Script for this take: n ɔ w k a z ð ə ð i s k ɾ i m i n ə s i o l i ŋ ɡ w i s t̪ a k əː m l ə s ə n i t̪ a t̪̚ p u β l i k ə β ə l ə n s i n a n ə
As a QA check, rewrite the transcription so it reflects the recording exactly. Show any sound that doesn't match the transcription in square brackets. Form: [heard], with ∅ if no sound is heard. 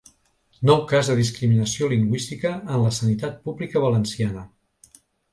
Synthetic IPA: n ɔ w k a z ð ə ð i s k ɾ i m i n ə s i o l i ŋ ɡ w i s t̪ [i] k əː [n] l ə s ə n i t̪ a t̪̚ p u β l i k ə β ə l ə n s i [∅] a n ə